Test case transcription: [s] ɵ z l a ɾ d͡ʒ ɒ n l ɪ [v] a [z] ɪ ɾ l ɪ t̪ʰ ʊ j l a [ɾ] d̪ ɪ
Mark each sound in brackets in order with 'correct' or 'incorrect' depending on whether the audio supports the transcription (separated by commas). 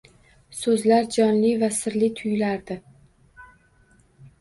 correct, correct, incorrect, correct